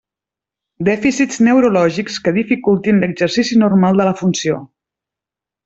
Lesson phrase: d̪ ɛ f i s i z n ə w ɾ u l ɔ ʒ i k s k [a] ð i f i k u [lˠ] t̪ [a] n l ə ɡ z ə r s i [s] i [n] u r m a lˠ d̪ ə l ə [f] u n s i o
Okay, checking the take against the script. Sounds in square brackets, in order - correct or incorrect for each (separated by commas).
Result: incorrect, correct, incorrect, correct, correct, correct